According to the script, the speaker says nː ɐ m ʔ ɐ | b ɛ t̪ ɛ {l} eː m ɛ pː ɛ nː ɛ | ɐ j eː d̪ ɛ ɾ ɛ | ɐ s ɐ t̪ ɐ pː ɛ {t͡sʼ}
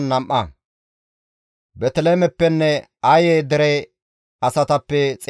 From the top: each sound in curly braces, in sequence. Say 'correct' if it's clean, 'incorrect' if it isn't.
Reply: correct, correct

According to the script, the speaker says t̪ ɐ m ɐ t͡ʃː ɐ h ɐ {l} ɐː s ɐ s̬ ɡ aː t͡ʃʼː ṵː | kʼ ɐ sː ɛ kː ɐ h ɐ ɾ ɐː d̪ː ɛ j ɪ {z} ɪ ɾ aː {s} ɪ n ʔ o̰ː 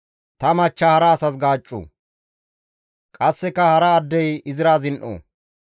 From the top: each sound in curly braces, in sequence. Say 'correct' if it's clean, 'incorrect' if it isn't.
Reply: incorrect, correct, incorrect

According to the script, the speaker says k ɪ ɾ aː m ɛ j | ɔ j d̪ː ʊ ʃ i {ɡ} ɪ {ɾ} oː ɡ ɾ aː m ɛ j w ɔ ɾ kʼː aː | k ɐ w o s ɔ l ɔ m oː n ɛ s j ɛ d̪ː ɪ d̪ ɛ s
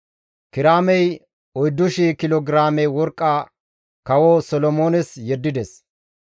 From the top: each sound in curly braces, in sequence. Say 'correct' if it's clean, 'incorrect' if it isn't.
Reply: incorrect, incorrect

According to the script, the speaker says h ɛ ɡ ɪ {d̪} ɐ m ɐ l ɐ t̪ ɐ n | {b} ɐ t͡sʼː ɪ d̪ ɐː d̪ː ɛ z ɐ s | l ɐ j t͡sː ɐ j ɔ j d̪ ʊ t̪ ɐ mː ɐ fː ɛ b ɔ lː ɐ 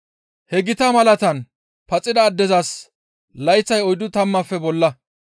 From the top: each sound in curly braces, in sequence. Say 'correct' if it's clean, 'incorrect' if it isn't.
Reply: incorrect, incorrect

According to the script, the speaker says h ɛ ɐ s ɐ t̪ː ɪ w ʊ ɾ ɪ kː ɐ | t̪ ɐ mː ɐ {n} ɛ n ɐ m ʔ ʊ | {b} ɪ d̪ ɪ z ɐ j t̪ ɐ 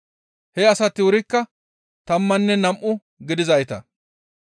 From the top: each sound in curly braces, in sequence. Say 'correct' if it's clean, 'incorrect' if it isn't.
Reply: incorrect, incorrect

